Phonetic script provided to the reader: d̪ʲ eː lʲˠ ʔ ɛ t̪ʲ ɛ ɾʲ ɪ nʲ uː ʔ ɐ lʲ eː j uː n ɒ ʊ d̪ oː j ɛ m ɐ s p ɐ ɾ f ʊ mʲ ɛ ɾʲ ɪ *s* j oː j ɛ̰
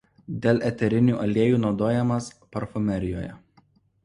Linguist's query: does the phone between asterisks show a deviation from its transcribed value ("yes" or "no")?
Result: yes